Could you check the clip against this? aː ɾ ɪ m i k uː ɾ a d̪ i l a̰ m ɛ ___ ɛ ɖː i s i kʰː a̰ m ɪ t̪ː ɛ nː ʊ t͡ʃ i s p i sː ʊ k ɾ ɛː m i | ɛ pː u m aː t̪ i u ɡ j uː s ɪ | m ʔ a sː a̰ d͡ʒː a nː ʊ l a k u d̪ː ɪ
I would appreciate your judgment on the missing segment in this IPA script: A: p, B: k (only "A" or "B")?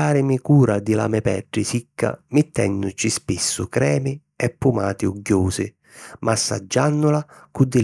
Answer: A